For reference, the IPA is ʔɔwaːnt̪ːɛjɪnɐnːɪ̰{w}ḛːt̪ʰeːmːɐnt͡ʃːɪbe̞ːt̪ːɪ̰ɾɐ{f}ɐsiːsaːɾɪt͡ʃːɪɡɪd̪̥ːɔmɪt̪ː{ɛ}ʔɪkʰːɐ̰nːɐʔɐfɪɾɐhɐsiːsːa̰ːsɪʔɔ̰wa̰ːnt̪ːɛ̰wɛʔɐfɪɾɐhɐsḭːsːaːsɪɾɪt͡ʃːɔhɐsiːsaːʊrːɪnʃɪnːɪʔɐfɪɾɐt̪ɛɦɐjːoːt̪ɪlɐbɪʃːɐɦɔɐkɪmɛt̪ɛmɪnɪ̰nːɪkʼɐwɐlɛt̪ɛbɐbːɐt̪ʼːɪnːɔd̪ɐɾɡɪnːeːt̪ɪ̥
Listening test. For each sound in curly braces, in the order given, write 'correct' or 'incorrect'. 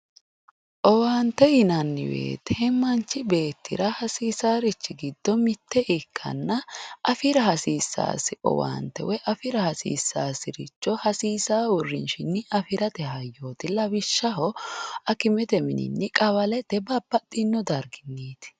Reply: correct, incorrect, correct

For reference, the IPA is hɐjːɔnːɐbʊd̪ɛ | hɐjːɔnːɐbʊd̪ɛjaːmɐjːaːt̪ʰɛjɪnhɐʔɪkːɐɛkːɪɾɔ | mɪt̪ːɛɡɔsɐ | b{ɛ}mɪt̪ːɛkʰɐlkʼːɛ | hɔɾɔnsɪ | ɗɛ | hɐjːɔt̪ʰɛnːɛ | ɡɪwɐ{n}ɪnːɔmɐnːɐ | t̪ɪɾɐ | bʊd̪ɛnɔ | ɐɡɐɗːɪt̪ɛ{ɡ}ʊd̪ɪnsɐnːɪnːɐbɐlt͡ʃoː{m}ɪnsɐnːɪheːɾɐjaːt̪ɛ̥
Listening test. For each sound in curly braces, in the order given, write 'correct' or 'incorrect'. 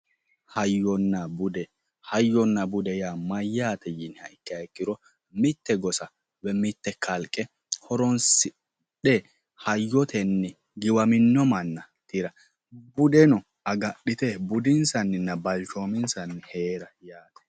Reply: correct, incorrect, incorrect, correct

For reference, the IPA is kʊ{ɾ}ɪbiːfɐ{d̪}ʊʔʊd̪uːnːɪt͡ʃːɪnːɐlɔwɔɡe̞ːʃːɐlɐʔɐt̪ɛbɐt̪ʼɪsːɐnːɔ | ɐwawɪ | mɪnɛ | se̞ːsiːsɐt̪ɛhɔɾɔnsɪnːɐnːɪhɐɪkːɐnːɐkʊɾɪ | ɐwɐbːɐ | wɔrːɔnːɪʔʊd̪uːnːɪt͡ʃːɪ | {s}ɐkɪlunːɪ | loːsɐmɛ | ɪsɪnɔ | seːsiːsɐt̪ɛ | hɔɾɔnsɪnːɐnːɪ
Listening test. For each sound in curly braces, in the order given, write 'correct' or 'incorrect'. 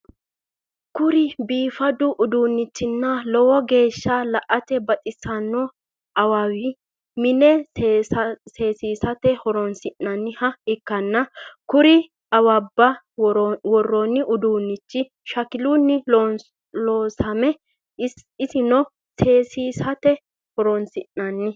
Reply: correct, correct, incorrect

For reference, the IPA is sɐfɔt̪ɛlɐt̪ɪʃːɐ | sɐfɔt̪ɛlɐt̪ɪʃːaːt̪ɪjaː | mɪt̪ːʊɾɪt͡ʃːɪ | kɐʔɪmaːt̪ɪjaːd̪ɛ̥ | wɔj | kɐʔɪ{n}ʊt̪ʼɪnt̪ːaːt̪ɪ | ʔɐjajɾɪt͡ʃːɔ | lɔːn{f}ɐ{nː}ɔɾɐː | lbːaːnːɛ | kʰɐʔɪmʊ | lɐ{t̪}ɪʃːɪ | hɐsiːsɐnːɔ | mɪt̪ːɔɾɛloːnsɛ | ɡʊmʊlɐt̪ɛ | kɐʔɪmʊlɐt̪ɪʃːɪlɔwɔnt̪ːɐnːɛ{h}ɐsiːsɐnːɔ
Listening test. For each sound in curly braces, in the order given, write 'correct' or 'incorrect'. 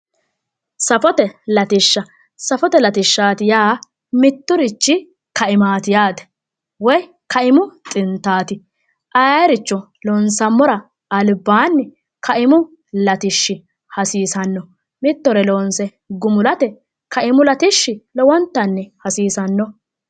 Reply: incorrect, incorrect, incorrect, correct, correct

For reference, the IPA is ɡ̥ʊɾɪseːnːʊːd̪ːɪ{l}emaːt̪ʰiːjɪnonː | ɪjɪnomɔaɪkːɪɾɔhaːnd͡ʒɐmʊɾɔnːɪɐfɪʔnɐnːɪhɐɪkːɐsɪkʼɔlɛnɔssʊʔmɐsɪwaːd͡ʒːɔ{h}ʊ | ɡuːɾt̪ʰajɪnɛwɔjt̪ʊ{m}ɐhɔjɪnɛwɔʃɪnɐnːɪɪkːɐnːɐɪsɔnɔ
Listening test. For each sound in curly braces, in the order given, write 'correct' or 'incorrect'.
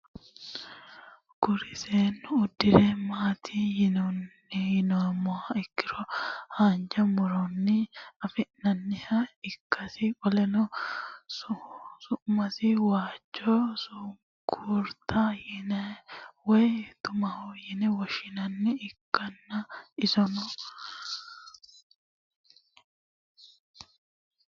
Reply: incorrect, incorrect, correct

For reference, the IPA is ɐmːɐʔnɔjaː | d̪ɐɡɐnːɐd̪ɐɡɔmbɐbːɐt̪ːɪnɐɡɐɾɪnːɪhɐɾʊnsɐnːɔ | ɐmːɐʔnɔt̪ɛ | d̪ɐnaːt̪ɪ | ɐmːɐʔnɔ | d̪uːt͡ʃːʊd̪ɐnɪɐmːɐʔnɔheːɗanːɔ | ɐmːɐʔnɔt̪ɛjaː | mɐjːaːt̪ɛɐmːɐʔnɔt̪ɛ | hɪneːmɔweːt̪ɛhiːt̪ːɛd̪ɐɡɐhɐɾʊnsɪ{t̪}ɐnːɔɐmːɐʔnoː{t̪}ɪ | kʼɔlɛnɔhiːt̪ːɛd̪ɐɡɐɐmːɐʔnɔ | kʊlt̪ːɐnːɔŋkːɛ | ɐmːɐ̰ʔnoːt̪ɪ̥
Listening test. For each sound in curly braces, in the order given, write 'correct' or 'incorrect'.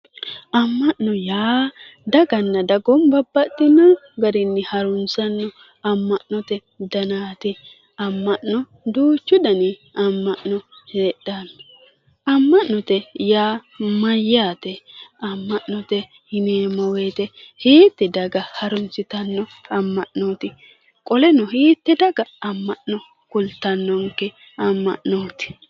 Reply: correct, correct

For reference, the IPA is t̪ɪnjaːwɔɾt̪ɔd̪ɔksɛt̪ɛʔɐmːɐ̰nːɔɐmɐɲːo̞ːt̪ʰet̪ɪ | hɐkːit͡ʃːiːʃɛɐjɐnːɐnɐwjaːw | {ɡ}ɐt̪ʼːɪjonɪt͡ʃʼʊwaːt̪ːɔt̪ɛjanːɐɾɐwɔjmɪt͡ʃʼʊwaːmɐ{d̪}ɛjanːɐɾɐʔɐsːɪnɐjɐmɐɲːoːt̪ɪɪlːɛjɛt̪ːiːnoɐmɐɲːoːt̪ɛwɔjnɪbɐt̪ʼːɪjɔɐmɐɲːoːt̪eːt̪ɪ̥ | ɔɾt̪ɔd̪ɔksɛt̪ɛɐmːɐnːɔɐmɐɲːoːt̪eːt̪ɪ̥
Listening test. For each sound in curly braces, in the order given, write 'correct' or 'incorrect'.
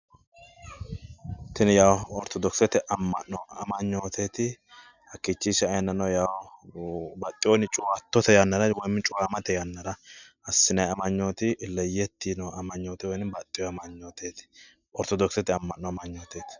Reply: incorrect, incorrect

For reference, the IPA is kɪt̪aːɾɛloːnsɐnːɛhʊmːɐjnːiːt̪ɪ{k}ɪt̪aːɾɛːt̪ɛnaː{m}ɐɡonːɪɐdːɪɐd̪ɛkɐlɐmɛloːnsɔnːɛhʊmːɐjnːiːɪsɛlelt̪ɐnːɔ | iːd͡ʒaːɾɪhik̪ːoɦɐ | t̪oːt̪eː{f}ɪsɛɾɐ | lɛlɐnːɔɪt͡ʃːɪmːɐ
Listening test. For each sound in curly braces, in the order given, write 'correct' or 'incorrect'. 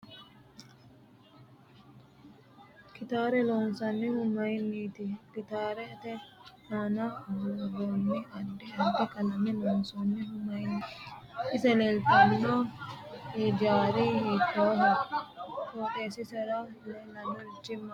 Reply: correct, incorrect, incorrect

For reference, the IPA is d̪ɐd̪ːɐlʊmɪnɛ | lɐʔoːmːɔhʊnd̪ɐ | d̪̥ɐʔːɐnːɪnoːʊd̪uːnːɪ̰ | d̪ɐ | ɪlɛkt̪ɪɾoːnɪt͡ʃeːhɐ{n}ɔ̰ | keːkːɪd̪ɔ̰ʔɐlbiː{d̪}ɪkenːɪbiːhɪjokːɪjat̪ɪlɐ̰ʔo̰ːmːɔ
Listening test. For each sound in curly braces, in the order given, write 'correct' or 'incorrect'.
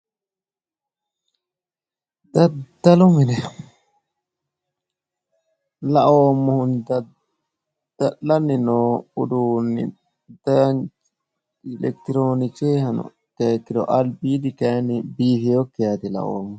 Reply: correct, correct

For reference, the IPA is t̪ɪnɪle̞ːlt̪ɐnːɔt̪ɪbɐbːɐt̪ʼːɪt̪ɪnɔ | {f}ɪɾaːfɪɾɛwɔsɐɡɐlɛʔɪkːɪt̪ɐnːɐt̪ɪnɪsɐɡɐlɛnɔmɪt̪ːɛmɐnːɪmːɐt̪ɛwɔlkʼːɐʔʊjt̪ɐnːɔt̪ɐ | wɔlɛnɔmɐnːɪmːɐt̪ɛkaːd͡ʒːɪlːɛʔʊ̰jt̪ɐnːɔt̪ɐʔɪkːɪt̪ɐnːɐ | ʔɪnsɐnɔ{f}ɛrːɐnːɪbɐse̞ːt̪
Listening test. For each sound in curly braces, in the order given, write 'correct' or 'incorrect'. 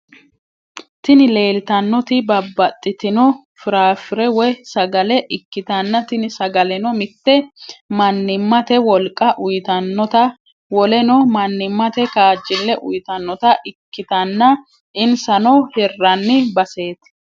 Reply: correct, incorrect

